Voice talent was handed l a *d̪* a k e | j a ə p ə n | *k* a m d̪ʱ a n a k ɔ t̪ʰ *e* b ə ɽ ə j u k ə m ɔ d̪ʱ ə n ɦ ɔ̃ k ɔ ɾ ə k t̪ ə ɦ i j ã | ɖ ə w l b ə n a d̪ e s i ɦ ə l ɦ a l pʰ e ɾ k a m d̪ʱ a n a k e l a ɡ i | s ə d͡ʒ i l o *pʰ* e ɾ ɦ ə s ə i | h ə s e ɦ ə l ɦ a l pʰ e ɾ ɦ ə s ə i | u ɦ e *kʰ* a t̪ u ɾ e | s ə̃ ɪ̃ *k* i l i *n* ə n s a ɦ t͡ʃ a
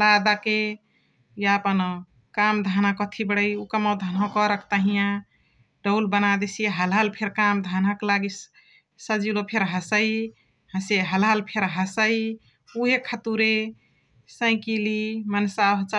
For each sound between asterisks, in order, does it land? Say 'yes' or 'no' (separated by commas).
yes, yes, no, yes, yes, yes, no